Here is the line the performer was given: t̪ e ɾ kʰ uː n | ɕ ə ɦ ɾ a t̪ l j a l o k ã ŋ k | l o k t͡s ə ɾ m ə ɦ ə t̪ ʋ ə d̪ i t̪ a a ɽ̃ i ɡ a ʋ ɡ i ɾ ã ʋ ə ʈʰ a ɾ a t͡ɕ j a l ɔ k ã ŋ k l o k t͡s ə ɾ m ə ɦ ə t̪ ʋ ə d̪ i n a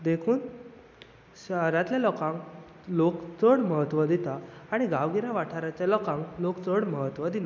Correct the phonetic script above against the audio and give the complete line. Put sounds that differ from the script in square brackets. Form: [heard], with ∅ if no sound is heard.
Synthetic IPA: [d̪] e [∅] kʰ uː n | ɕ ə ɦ ɾ a t̪ l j a l [ɔ] k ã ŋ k | l o k t͡s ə [ɽ] m ə ɦ ə t̪ ʋ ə d̪ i t̪ a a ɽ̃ i ɡ a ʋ ɡ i ɾ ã ʋ [a] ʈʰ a ɾ a t͡ɕ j a l ɔ k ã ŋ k l o k t͡s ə [ɽ] m ə ɦ ə t̪ ʋ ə d̪ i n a

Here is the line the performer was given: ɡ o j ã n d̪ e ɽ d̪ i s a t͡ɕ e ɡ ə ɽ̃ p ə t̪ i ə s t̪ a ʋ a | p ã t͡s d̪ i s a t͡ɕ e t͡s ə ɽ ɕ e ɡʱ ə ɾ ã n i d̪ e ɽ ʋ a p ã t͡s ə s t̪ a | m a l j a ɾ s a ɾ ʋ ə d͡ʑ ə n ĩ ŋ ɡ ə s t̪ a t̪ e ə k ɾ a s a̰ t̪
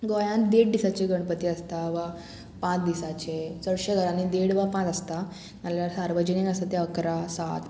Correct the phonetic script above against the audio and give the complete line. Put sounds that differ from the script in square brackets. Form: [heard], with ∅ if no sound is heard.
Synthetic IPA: ɡ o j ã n d̪ e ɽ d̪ i s a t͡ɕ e ɡ ə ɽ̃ p ə t̪ i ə s t̪ a ʋ a | p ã t͡s d̪ i s a t͡ɕ e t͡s ə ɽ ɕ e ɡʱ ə ɾ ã n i d̪ e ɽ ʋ a p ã t͡s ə s t̪ a | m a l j a ɾ s a ɾ ʋ ə d͡ʑ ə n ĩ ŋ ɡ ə s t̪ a t̪ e ə k ɾ a s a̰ t̪

